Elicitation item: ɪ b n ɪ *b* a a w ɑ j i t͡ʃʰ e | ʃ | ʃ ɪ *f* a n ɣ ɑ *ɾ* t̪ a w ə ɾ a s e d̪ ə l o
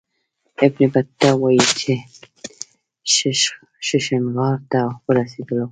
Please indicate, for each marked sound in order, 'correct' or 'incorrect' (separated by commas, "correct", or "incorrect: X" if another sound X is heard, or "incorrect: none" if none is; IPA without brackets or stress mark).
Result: correct, incorrect: ʃ, correct